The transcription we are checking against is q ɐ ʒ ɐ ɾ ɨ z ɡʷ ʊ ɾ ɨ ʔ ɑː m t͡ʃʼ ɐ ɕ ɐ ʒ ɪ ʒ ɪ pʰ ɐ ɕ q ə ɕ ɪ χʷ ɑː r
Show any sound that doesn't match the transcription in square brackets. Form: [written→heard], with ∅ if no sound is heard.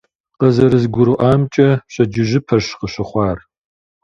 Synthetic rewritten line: q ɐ [ʒ→z] ɐ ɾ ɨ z ɡʷ ʊ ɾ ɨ ʔ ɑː m t͡ʃʼ ɐ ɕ ɐ [ʒ→d͡ʒ] ɪ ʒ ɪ pʰ ɐ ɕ q ə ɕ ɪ χʷ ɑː r